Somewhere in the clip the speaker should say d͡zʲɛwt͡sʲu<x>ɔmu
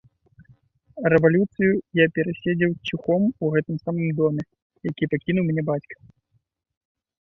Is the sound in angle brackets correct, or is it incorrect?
correct